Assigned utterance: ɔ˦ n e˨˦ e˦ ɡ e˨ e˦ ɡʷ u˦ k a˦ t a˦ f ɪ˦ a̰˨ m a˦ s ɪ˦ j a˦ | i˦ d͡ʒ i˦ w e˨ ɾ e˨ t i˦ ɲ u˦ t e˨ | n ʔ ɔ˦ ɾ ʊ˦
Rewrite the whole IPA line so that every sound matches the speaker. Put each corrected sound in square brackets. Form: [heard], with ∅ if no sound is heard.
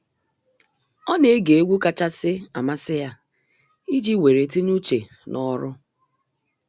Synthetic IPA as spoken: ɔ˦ n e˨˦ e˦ ɡ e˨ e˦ ɡʷ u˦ k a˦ [t͡ʃ] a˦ [s] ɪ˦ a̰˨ m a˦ s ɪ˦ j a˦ | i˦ d͡ʒ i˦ w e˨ ɾ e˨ t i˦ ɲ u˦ [t͡ʃ] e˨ | n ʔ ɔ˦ ɾ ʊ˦